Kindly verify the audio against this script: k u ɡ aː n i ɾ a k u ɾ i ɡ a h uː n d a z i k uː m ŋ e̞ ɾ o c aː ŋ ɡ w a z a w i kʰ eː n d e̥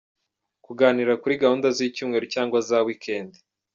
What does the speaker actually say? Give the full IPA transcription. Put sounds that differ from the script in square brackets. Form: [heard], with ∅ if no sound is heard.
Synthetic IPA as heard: k u ɡ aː n i ɾ a k u ɾ i ɡ a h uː n d a z i [c] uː m ŋ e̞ ɾ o c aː ŋ ɡ w a z a w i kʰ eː n d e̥